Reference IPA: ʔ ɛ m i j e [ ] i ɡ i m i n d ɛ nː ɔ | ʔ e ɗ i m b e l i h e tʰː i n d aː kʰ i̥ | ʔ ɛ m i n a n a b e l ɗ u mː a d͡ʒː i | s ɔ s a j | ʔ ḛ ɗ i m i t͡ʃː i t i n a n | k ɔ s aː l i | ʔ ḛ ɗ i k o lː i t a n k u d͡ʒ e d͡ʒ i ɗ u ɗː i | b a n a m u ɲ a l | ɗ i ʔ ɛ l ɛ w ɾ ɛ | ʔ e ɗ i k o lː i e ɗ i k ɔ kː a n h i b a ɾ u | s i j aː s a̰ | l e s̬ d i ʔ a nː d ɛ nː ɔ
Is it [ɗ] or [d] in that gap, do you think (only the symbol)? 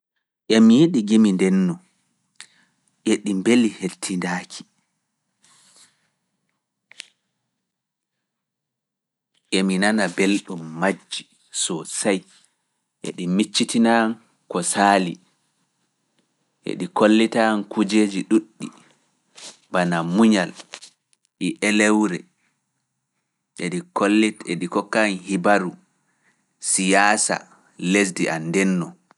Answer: ɗ